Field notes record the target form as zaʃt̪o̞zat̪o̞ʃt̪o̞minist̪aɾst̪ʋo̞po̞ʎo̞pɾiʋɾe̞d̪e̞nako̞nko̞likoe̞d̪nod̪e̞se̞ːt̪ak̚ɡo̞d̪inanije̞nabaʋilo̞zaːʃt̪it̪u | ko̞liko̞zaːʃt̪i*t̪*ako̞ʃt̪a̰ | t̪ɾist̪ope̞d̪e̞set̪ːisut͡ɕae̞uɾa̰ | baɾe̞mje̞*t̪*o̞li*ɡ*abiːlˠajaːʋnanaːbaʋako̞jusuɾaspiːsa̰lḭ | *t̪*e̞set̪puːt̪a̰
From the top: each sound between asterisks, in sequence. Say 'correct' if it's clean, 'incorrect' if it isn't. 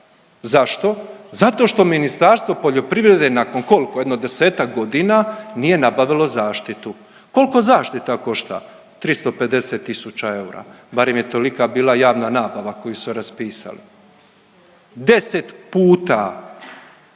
correct, correct, incorrect, incorrect

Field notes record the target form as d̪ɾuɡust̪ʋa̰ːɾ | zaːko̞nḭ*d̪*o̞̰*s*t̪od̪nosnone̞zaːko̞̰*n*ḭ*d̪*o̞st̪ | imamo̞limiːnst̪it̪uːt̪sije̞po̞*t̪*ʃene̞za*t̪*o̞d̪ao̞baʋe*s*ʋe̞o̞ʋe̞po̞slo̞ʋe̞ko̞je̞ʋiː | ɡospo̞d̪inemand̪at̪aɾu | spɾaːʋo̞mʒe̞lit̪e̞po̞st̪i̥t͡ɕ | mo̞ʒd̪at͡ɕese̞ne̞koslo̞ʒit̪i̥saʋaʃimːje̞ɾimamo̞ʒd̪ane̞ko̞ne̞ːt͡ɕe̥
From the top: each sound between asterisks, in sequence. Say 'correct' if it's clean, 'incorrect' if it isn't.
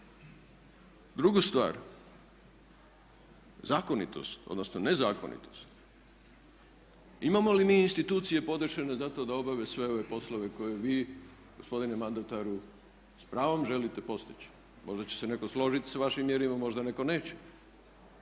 incorrect, correct, correct, incorrect, incorrect, correct, correct

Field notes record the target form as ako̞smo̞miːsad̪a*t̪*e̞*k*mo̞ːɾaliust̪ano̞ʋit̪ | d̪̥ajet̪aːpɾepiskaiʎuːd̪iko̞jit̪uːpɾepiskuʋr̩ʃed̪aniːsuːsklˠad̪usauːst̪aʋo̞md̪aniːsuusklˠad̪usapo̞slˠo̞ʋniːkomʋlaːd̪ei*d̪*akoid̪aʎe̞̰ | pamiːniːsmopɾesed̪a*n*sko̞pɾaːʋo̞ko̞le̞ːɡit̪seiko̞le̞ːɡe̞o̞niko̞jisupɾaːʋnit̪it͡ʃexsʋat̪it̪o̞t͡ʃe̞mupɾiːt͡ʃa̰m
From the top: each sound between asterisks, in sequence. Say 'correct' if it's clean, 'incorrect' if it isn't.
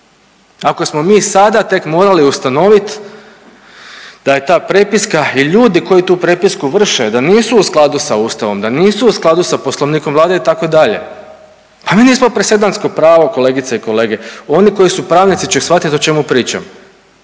correct, correct, incorrect, correct

